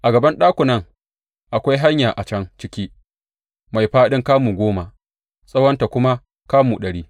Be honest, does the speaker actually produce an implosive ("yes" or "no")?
yes